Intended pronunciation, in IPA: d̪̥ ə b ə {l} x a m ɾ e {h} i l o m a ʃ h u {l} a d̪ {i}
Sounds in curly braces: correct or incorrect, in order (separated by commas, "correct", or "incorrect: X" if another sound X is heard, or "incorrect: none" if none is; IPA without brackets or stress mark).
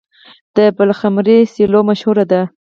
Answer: correct, incorrect: s, incorrect: ɾ, incorrect: a